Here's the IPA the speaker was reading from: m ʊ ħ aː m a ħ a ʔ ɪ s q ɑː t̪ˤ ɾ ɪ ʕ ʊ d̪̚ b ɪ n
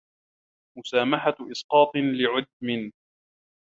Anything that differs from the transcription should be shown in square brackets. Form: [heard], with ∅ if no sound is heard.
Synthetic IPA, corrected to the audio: m ʊ [s] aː m a ħ a ʔ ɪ s q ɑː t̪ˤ [l] ɪ ʕ ʊ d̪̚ [m] ɪ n